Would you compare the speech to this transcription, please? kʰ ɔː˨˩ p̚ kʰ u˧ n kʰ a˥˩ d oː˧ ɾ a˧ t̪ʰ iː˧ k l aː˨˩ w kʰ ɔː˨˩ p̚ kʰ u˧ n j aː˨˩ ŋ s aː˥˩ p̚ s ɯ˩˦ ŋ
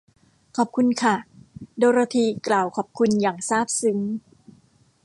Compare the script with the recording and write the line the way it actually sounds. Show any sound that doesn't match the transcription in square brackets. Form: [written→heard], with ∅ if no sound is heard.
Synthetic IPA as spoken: kʰ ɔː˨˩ p̚ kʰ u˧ n kʰ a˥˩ d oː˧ ɾ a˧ t̪ʰ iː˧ k l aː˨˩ w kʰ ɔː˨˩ p̚ kʰ u˧ n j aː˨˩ ŋ s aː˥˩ p̚ s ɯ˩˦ ŋ